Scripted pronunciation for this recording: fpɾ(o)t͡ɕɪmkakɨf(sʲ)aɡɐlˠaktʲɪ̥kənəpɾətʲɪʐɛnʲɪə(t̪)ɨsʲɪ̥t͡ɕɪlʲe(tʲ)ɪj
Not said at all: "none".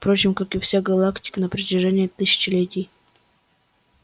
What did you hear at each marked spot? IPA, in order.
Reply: o, sʲ, t̪, tʲ

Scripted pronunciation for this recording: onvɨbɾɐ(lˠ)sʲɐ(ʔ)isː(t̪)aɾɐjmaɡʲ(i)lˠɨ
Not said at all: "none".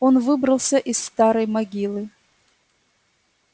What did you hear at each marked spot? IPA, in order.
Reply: lˠ, ʔ, t̪, i

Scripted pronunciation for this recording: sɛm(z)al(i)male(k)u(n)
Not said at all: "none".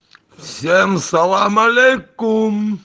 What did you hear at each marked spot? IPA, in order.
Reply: s, a, k, m

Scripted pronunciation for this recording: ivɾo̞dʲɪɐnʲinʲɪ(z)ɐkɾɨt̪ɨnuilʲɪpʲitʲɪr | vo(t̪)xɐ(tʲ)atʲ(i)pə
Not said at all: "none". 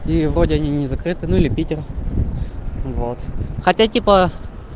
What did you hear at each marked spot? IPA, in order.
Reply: z, t̪, tʲ, i

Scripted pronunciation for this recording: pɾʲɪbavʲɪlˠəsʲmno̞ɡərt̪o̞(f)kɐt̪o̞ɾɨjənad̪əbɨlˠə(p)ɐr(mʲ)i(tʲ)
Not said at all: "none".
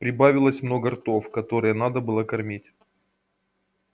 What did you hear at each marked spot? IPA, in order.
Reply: f, k, mʲ, tʲ

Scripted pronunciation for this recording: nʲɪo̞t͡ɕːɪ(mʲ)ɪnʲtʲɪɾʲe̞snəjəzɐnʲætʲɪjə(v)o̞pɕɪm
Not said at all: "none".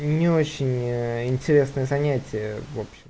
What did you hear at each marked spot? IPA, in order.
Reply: nʲ, v

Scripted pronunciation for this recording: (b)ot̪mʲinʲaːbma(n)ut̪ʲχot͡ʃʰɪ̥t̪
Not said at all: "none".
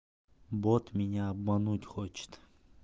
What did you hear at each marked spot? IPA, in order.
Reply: b, n

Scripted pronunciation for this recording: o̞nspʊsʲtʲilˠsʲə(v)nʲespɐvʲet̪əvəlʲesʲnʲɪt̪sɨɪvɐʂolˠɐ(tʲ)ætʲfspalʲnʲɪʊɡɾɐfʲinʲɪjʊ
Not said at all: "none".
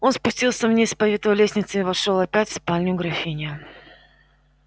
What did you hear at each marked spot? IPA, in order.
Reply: v, pʲ

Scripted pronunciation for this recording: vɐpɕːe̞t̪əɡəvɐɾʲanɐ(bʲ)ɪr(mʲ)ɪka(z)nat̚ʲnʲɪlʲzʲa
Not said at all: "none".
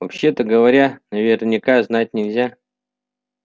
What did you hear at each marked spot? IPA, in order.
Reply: vʲ, nʲ, z

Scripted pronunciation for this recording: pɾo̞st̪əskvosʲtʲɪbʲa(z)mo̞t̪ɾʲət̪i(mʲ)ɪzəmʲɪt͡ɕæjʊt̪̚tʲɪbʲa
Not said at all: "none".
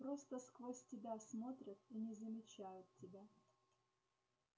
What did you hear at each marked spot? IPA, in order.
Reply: s, nʲ

